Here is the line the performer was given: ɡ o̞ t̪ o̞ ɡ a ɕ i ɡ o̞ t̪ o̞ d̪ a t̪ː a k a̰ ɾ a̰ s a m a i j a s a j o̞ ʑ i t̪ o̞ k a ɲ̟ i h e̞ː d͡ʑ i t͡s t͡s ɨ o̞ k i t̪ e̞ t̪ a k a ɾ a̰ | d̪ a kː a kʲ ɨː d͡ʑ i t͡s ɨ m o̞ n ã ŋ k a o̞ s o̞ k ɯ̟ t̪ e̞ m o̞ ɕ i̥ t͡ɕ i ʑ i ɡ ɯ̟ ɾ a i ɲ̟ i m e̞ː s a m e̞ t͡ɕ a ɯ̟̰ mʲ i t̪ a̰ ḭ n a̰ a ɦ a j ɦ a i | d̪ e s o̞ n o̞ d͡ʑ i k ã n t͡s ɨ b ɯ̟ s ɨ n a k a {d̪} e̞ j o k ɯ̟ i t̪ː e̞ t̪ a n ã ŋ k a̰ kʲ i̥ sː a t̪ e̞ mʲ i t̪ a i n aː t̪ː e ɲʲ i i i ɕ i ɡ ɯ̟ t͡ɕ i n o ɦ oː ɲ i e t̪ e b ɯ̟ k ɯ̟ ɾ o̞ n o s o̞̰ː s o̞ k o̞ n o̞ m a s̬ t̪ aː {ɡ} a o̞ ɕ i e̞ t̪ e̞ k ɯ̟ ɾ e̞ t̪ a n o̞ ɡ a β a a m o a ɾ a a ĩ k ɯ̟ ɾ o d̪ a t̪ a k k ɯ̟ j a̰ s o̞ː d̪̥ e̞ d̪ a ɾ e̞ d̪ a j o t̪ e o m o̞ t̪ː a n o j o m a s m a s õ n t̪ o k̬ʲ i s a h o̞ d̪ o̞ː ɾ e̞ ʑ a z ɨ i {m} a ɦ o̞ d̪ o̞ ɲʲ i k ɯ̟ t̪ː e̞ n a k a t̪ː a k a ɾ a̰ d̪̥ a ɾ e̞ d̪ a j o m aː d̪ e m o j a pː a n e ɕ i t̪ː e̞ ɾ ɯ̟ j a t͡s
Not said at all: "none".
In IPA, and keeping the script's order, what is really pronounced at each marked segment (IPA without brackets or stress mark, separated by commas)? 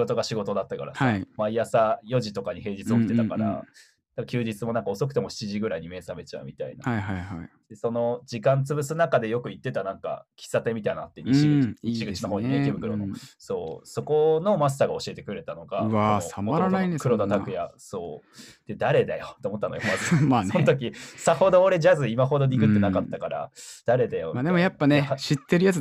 d̪, ɡ, m